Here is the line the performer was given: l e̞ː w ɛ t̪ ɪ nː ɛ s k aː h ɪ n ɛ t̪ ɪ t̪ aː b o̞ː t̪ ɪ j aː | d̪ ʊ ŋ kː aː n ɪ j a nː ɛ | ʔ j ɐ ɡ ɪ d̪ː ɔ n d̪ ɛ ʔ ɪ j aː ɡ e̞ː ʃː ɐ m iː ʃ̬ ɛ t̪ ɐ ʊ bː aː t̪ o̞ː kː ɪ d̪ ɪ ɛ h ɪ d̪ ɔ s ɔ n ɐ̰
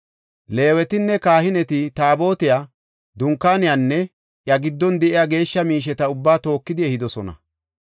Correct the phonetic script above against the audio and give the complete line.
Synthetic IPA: l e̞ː w ɛ t̪ ɪ nː ɛ k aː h ɪ n ɛ t̪ ɪ t̪ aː b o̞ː t̪ ɪ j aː | d̪ ʊ ŋ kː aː n ɪ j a nː ɛ | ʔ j ɐ ɡ ɪ d̪ː ɔ n d̪ ɛ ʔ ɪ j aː ɡ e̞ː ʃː ɐ m iː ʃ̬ ɛ t̪ ɐ ʊ bː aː t̪ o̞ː kː ɪ d̪ ɪ ɛ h ɪ d̪ ɔ s ɔ n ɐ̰